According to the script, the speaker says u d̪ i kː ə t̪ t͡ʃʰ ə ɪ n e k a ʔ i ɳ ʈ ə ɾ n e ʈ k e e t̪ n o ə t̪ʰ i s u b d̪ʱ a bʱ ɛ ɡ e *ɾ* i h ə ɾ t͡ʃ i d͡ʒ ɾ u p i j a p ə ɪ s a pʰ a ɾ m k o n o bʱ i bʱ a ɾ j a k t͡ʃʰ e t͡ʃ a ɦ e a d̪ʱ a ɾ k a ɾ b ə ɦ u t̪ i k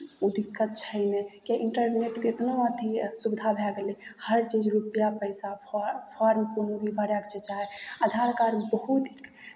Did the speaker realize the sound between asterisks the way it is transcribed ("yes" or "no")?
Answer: no